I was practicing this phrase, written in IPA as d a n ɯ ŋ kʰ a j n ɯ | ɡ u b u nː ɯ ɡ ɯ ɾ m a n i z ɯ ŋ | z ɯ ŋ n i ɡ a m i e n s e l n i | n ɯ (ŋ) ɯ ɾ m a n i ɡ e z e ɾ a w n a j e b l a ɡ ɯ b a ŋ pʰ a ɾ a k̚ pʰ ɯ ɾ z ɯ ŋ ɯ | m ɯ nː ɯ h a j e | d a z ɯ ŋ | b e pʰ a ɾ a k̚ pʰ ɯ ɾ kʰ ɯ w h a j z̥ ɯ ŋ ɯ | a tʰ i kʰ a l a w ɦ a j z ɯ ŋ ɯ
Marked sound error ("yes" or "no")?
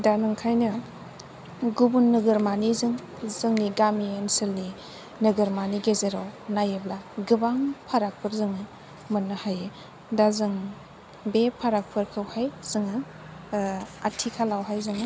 yes